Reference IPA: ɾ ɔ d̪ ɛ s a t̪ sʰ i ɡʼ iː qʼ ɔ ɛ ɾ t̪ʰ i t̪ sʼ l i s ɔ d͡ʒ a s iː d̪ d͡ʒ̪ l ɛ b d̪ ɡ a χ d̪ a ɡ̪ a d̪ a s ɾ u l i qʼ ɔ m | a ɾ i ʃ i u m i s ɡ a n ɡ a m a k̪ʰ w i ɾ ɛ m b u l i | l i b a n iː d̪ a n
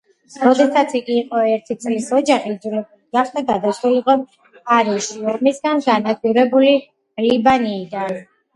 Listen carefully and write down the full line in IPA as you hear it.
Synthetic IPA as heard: ɾ ɔ d̪ ɛ s a t̪ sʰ i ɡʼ iː qʼ ɔ ɛ ɾ t̪ʰ i t̪ sʼ l i s ɔ d͡ʒ a χ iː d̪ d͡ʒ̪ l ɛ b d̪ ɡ a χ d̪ a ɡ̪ a d̪ a s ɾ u l i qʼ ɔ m | a ɾ i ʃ i ɔ m i s ɡ a n ɡ a n a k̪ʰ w i ɾ ɛ b u l i | l i b a n iː d̪ a n